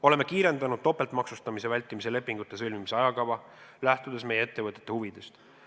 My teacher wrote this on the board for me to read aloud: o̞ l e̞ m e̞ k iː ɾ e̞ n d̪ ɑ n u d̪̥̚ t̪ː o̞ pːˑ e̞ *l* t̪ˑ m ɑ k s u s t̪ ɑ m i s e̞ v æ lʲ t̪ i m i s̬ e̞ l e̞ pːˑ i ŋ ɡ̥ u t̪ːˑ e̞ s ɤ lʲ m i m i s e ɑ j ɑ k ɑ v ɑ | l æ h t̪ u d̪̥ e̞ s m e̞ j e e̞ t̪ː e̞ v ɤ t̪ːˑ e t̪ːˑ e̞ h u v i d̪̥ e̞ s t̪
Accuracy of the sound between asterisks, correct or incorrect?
correct